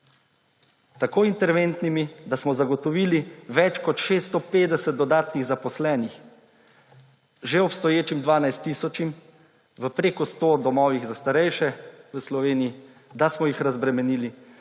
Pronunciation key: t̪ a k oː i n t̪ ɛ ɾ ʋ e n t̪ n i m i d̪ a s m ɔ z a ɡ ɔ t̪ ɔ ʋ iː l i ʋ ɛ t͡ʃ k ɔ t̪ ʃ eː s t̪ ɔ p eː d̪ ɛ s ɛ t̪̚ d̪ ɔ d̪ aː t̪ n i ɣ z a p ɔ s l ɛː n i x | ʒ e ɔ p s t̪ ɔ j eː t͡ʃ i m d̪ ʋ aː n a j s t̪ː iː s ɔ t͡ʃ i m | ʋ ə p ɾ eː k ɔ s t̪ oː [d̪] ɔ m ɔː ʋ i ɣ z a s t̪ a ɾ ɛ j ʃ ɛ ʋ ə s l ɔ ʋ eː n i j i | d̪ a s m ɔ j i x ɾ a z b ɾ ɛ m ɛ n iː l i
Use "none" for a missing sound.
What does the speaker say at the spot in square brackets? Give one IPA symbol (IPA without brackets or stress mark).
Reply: d̪